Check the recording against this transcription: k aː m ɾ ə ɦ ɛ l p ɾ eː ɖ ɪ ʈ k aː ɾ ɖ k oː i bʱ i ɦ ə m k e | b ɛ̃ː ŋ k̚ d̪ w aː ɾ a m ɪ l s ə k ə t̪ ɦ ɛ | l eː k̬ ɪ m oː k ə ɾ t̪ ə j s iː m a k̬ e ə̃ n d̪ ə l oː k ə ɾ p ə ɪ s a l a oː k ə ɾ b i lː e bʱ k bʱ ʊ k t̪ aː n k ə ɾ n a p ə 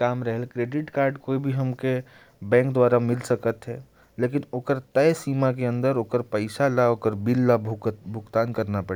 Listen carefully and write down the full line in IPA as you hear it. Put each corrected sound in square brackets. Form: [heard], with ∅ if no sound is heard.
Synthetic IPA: k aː m ɾ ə ɦ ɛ l [k] ɾ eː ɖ ɪ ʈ k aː ɾ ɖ k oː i bʱ i ɦ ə m k e | b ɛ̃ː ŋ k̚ d̪ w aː ɾ a m ɪ l s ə k ə t̪ ɦ ɛ | l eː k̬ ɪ [n] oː k ə ɾ t̪ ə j s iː m a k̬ e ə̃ n d̪ ə [ɾ] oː k ə ɾ p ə ɪ s a l a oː k ə ɾ b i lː [a] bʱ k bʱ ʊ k t̪ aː n k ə ɾ n a p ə

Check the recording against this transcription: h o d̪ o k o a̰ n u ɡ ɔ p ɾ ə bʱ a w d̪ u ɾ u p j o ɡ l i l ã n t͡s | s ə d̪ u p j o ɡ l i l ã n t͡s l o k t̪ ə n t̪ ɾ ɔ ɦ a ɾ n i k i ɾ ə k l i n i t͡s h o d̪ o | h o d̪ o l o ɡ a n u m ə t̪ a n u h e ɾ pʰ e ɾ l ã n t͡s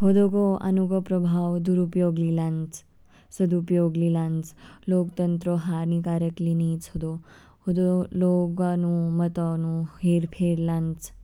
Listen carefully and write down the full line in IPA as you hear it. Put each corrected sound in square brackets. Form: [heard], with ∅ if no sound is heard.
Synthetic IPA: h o d̪ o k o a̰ n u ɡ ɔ p ɾ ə bʱ a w d̪ u ɾ u p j o ɡ l i l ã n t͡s | s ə d̪ u p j o ɡ l i l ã n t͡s l o k t̪ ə n t̪ ɾ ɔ ɦ a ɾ n i k [a] ɾ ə k l i n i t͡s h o d̪ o | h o d̪ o l o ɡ a n u m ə t̪ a n u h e ɾ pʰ e ɾ l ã n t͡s

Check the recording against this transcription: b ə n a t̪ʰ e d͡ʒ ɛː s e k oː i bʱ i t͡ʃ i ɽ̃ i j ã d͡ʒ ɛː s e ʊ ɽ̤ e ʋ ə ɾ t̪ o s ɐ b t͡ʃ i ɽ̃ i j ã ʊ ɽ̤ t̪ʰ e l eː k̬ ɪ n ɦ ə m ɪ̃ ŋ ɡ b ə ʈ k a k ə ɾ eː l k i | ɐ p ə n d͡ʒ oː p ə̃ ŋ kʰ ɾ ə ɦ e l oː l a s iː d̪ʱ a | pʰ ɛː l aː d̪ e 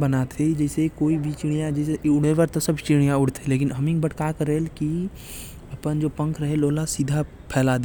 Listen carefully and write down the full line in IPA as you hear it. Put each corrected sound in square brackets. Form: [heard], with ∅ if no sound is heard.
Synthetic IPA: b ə n a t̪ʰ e d͡ʒ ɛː s e k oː i bʱ i t͡ʃ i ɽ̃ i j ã d͡ʒ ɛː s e ʊ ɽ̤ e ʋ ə ɾ t̪ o s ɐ b t͡ʃ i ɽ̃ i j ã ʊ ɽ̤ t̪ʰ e l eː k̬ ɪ n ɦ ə m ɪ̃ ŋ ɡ b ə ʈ k a k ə ɾ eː l k i | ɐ p ə n d͡ʒ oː p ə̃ ŋ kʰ ɾ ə ɦ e l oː l a s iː d̪ʱ a | pʰ ɛː l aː d̪ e

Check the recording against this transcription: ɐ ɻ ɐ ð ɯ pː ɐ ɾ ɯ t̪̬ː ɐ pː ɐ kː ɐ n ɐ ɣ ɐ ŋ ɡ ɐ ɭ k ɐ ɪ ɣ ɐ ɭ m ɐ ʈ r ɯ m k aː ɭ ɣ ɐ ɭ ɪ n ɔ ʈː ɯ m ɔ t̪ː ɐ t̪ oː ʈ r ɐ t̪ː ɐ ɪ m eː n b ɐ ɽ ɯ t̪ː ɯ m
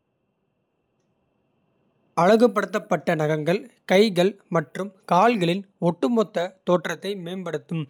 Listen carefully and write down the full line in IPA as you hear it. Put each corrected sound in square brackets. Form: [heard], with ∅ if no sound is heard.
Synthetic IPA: ɐ ɻ ɐ [ɣ] ɯ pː ɐ [ɽ] ɯ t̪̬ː ɐ pː ɐ [ʈː] ɐ n ɐ ɣ ɐ ŋ ɡ ɐ ɭ k ɐ ɪ ɣ ɐ ɭ m ɐ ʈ r ɯ m k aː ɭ ɣ ɐ ɭ ɪ n ɔ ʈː ɯ m ɔ t̪ː ɐ t̪ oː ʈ r ɐ t̪ː ɐ ɪ m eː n b ɐ ɽ ɯ t̪ː ɯ m

